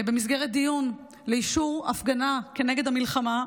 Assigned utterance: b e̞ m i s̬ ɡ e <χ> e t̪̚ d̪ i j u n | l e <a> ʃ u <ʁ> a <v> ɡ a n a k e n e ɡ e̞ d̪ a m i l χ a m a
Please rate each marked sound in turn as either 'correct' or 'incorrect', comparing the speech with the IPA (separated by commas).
incorrect, incorrect, correct, incorrect